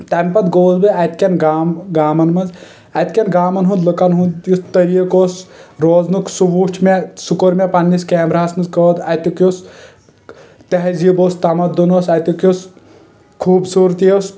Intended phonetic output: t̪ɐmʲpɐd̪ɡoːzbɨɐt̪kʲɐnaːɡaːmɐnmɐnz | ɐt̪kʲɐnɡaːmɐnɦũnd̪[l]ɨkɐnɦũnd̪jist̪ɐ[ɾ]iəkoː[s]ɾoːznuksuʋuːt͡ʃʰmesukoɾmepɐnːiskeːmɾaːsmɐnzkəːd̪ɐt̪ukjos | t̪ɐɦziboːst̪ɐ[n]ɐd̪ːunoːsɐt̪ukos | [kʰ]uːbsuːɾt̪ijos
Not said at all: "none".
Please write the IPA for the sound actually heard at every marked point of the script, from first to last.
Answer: l, ɾ, s, m, kʰ

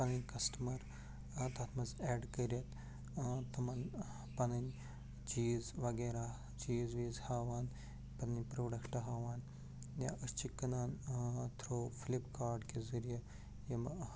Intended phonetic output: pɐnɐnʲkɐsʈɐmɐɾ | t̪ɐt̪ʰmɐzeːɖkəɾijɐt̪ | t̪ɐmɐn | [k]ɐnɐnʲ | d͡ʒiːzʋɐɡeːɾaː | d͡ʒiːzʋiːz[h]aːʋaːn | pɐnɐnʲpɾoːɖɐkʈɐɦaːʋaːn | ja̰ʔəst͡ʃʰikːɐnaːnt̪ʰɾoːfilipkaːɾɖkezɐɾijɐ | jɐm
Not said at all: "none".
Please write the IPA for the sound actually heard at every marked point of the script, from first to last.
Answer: p, h

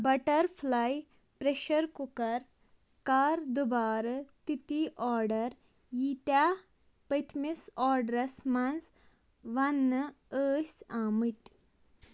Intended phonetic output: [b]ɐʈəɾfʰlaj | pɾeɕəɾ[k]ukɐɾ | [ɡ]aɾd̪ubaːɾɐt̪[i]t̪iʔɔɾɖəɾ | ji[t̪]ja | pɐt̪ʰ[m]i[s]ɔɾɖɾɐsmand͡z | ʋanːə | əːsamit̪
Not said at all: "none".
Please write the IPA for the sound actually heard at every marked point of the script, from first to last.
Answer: b, k, k, i, t̪, m, s

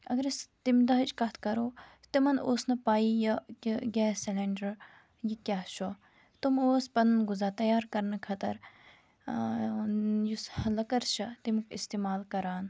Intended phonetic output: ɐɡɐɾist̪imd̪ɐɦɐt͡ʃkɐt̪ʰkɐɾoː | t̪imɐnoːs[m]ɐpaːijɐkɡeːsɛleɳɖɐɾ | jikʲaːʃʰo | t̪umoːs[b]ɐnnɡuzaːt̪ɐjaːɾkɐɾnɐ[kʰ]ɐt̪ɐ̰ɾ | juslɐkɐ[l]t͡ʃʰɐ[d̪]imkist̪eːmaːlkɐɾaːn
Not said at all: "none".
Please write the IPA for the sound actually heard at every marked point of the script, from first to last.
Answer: n, p, kʰ, ɾ, t̪

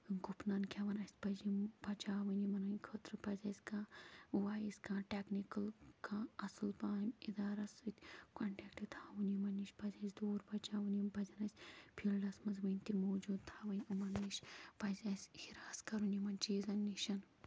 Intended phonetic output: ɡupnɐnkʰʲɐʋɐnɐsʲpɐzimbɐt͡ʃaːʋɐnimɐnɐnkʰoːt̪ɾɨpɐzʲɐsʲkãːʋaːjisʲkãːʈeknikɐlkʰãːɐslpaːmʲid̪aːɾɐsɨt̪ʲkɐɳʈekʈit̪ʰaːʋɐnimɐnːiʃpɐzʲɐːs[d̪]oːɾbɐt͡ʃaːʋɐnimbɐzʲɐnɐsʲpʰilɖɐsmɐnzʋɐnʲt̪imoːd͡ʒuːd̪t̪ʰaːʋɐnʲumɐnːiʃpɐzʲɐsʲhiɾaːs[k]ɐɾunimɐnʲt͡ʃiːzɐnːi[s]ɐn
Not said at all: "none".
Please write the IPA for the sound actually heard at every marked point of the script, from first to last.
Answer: d̪, k, ʃ

